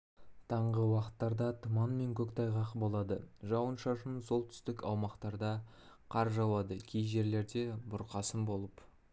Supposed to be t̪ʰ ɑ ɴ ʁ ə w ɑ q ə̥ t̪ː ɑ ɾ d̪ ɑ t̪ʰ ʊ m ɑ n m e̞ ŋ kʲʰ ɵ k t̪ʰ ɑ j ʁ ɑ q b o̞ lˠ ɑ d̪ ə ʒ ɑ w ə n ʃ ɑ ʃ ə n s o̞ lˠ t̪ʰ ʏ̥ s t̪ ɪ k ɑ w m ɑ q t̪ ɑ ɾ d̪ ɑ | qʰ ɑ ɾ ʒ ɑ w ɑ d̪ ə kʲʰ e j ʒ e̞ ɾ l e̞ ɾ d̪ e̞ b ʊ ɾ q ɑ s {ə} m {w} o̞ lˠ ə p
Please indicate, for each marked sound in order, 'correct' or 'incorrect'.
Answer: correct, incorrect

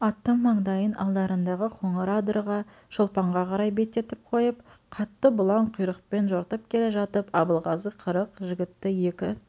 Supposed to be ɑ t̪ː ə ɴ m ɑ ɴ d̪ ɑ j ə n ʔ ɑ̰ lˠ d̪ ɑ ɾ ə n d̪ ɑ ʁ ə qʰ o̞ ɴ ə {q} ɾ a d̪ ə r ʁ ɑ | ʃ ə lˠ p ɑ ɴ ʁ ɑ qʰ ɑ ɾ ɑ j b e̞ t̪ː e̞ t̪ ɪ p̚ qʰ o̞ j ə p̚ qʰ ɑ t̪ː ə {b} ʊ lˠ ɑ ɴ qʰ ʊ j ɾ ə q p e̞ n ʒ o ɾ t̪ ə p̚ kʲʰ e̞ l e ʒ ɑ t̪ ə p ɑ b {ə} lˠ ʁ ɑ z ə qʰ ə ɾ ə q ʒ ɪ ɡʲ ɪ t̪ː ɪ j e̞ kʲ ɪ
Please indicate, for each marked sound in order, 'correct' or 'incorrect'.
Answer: incorrect, correct, correct

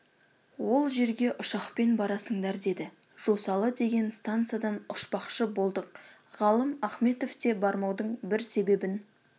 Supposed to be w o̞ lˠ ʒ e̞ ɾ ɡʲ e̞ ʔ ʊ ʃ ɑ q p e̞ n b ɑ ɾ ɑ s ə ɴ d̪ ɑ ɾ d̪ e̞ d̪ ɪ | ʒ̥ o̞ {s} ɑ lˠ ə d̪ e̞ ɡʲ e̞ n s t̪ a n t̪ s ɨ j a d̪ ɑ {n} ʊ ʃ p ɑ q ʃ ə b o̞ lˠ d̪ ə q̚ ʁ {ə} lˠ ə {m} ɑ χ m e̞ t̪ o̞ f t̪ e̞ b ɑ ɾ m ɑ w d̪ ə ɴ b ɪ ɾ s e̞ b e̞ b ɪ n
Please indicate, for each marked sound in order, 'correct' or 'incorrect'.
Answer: correct, correct, incorrect, correct

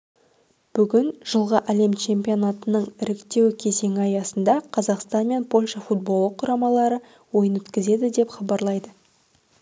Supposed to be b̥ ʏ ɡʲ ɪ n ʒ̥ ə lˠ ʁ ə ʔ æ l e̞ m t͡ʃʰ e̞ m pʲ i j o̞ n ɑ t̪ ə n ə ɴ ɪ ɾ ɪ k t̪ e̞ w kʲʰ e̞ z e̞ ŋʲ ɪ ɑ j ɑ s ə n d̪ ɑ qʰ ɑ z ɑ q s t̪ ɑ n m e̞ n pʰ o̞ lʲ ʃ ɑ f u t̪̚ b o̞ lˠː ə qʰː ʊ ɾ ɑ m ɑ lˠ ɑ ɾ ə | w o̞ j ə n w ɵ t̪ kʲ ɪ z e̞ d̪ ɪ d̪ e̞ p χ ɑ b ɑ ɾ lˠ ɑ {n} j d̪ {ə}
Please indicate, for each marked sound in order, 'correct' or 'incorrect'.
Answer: incorrect, correct

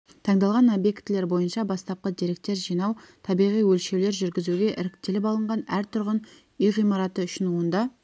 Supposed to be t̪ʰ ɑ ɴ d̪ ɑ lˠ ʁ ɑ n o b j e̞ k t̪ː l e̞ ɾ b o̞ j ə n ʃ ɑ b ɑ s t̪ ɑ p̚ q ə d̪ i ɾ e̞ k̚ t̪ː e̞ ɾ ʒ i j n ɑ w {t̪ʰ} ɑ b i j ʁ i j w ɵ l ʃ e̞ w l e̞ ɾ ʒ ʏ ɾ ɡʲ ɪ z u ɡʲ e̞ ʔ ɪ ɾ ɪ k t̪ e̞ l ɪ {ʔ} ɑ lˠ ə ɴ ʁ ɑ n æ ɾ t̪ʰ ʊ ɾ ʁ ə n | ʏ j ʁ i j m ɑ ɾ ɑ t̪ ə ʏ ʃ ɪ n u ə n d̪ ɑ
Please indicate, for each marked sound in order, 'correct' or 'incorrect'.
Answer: correct, incorrect

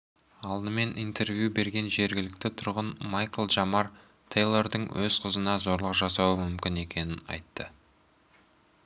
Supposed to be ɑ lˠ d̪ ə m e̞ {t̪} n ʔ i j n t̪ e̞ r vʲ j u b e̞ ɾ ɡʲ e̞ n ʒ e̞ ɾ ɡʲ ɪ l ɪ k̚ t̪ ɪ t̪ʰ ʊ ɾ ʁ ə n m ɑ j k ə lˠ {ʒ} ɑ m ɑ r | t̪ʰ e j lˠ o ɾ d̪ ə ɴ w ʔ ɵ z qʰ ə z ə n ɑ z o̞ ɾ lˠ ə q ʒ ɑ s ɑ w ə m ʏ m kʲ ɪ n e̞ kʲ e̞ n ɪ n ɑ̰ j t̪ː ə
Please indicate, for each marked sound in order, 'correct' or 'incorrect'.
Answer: incorrect, correct

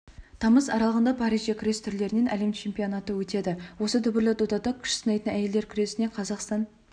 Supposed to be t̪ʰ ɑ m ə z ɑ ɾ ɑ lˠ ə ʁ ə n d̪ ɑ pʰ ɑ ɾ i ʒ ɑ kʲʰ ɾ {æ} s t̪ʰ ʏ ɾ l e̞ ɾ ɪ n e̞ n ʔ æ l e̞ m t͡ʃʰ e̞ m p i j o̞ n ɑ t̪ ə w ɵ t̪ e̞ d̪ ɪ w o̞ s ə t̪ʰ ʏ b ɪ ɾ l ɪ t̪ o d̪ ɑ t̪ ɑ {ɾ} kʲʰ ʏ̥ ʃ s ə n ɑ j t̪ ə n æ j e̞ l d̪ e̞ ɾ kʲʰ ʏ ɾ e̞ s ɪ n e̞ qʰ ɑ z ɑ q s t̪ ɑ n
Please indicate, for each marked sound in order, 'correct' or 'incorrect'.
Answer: incorrect, incorrect

